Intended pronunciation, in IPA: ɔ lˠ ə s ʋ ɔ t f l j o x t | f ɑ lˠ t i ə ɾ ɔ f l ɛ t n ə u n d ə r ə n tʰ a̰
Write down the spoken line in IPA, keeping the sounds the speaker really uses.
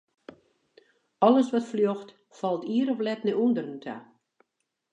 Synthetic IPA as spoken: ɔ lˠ ə s ʋ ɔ t f l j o x t | f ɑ lˠ t i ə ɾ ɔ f l ɛ t n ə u n d ə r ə n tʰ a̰